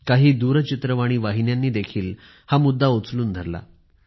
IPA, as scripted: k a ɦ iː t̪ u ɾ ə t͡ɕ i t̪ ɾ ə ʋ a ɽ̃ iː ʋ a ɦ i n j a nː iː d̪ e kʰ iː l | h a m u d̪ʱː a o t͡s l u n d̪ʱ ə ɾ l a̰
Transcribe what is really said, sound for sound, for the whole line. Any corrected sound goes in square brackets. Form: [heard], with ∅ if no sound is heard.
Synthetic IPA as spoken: k a ɦ iː [d̪] u ɾ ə t͡ɕ i t̪ ɾ ə ʋ a ɽ̃ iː ʋ a ɦ i n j a nː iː d̪ e kʰ iː l | h a m u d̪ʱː a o t͡s l [uː] n d̪ʱ ə ɾ l a̰